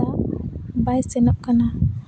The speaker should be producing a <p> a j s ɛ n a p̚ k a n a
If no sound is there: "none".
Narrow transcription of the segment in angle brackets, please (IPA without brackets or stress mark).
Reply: b